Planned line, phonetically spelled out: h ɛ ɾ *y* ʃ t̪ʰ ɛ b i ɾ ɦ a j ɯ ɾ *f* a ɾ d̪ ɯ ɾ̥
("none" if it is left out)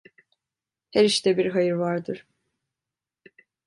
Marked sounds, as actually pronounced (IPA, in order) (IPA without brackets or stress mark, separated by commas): i, v